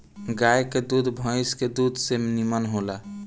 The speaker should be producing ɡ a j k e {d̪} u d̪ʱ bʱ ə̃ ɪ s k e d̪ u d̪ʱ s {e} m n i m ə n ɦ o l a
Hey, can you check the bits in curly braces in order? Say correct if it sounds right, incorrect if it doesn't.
correct, correct

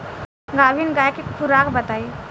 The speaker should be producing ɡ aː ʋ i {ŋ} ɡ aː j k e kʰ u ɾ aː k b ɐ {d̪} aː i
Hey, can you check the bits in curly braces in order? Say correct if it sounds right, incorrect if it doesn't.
incorrect: n, incorrect: t̪

